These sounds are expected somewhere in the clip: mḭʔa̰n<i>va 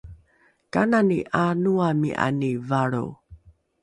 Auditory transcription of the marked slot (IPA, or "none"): i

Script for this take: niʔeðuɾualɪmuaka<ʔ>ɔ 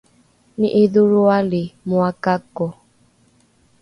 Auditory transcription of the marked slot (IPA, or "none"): k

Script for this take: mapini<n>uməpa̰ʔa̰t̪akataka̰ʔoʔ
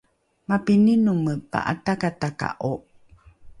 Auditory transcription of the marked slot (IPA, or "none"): n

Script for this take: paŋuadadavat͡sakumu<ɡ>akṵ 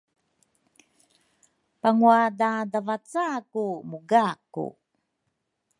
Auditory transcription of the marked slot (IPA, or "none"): ɡ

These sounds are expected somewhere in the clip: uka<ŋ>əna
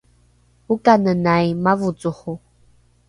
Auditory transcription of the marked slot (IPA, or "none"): n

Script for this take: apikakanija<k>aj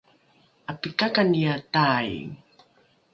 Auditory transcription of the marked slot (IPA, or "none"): t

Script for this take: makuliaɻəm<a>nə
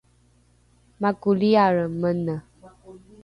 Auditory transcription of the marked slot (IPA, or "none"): ə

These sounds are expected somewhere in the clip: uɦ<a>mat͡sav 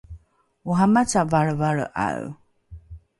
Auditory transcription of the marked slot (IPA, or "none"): a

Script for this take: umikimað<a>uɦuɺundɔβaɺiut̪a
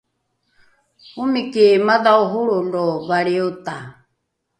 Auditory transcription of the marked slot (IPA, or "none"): a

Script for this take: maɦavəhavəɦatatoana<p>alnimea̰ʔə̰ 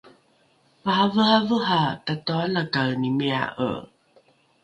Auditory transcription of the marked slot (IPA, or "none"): k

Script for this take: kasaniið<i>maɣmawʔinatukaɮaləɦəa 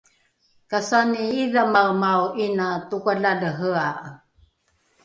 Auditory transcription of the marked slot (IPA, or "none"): a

